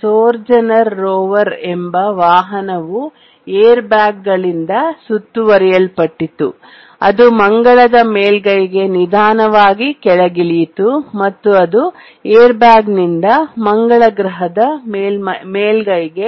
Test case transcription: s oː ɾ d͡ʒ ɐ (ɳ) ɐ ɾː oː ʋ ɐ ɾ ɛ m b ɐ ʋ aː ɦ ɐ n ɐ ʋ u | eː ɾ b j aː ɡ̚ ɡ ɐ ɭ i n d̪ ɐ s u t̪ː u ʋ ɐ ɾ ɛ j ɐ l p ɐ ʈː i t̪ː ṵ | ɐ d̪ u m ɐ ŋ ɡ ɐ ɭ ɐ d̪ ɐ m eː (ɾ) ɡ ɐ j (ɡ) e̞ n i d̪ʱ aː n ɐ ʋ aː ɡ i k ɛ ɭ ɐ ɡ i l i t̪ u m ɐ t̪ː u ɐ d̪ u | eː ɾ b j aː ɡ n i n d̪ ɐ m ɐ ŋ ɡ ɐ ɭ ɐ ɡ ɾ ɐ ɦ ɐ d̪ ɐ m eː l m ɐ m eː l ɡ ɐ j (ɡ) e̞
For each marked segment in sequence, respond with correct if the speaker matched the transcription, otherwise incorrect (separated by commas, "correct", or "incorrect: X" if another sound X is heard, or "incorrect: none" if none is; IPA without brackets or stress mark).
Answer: incorrect: n, incorrect: l, correct, correct